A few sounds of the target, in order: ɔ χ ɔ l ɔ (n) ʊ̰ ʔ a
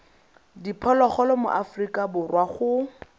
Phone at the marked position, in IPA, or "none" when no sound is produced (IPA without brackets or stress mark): m